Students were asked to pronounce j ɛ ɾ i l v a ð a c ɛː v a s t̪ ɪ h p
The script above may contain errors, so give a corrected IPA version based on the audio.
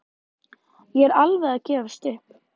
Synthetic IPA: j ɛ ɾ a l v ɛ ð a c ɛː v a s t̪ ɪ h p